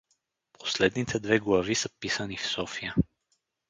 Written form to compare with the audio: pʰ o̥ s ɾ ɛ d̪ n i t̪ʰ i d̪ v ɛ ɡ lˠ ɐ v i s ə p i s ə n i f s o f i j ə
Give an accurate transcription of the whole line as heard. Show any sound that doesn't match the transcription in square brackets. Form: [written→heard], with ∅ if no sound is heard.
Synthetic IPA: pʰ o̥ s [ɾ→l] ɛ d̪ n i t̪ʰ [i→ɛ] d̪ v ɛ ɡ lˠ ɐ v i s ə p i s ə n i f s [o→ɔ] f i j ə